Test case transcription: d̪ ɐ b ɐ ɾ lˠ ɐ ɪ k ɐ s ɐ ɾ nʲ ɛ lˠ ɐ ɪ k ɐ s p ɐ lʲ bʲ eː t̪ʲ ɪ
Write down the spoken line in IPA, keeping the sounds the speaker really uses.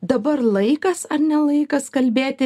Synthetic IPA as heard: d̪ ɐ b ɐ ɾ lˠ ɐ ɪ k ɐ s ɐ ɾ nʲ ɛ lˠ ɐ ɪ k ɐ s k ɐ lʲ bʲ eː t̪ʲ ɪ